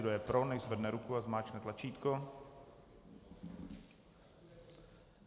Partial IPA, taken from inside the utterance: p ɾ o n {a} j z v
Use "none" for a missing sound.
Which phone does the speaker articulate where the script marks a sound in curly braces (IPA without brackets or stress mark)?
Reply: ɛ